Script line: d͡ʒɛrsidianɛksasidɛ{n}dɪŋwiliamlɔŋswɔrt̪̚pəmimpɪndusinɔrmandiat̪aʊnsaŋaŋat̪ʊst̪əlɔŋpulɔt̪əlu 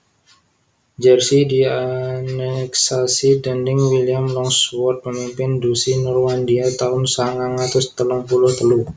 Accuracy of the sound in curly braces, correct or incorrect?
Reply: correct